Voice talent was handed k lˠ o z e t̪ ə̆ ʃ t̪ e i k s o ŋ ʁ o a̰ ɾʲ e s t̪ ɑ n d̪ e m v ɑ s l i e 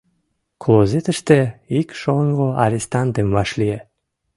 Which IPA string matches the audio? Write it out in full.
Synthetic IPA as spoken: k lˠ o z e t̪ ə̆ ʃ t̪ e i k ʃ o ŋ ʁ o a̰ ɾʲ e s t̪ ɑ n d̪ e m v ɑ ʃ l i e